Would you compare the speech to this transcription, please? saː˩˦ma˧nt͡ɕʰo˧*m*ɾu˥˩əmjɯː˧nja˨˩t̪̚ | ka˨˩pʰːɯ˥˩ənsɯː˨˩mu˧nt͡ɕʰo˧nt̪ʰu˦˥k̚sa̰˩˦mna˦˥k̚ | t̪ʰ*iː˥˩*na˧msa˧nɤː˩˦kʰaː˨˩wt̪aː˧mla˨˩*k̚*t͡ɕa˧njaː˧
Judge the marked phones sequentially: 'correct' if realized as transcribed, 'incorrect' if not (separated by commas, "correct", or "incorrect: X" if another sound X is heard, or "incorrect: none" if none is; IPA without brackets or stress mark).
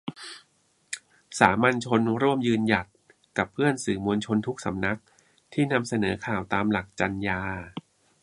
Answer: incorrect: n, correct, correct